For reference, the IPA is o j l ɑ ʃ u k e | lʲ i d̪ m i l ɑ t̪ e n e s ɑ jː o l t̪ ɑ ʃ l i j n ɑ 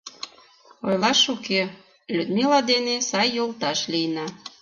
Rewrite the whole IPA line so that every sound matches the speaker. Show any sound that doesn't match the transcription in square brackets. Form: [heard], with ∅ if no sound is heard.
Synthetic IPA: o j l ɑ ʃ u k e | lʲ [y] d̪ m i l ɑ [d̪] e n e s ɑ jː o l t̪ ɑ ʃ l i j n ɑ